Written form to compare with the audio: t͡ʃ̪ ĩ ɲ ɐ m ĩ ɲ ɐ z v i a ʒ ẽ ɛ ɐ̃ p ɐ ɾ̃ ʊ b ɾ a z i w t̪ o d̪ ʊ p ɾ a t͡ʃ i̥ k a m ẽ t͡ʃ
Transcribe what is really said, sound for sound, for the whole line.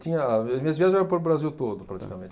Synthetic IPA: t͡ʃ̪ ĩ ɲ ɐ m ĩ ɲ ɐ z v i a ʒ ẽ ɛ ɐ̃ p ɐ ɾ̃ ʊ b ɾ a z i w t̪ o d̪ ʊ p ɾ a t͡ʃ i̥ k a m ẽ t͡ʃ